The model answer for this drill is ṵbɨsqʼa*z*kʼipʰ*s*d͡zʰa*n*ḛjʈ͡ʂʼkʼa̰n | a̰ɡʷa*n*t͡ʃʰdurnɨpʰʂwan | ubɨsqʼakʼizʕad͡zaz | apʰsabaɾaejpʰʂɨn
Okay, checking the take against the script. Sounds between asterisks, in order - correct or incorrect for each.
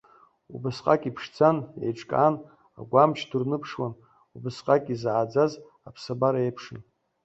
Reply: incorrect: none, incorrect: ʂ, correct, incorrect: m

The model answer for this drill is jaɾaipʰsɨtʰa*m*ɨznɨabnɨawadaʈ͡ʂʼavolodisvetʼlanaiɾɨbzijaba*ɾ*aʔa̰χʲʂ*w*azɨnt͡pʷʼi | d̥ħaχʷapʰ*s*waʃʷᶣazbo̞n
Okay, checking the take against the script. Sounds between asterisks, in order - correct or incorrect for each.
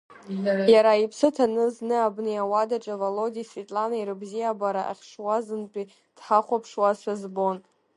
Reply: incorrect: n, correct, correct, incorrect: ʂ

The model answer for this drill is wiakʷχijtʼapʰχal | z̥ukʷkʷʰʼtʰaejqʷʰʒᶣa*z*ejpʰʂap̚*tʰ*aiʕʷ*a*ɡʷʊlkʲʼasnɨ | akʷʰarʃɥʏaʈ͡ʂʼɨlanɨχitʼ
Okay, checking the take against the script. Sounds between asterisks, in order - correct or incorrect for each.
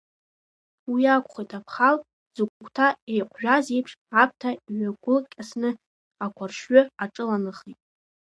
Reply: correct, correct, correct

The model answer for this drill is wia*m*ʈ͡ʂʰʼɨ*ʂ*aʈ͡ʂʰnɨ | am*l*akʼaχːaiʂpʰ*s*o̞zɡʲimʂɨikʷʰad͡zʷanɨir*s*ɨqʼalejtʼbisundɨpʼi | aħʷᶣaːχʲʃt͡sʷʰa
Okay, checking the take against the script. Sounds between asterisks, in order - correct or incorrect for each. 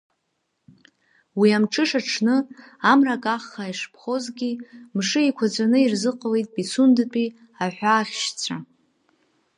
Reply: correct, correct, incorrect: r, incorrect: χ, incorrect: z

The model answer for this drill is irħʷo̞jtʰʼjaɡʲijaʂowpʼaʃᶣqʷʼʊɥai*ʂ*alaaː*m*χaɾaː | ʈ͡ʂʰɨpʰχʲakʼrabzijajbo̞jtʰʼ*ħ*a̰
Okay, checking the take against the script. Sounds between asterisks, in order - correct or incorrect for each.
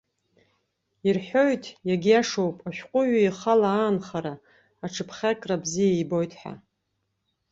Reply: incorrect: χ, incorrect: n, correct

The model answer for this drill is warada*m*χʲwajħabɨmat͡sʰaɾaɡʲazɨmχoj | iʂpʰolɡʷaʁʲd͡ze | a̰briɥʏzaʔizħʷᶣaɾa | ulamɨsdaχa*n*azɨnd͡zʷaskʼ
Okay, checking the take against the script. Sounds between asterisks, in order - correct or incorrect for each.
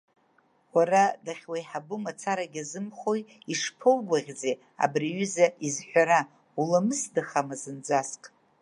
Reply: incorrect: none, incorrect: m

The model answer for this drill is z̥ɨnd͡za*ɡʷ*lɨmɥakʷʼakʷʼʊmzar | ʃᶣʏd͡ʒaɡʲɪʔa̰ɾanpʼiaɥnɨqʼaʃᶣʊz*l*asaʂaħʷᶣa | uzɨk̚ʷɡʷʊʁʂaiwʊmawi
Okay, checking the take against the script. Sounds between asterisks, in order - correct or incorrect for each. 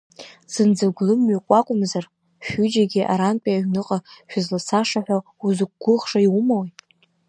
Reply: correct, correct

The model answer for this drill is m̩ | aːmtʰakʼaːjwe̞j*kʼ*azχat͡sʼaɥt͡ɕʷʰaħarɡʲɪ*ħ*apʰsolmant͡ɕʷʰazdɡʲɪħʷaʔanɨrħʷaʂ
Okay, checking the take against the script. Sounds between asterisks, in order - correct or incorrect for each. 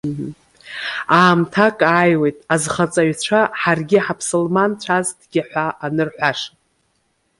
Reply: incorrect: tʼ, correct

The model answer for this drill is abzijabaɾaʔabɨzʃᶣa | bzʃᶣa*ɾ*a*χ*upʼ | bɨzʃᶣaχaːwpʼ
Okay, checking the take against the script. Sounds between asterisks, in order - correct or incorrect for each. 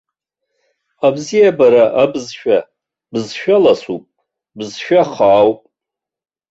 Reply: incorrect: l, incorrect: s

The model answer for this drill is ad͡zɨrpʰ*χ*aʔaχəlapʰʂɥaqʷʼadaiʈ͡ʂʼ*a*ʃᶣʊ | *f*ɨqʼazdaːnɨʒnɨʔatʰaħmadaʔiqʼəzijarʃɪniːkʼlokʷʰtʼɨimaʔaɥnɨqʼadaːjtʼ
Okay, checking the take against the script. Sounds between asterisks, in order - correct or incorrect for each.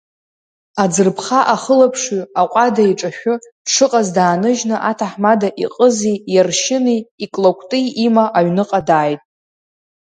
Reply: correct, correct, incorrect: ʂ

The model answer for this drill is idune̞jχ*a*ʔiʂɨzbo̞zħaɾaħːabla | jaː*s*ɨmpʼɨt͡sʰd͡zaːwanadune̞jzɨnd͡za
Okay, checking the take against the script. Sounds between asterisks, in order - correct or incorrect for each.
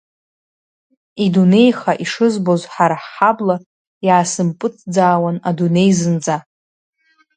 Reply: correct, correct

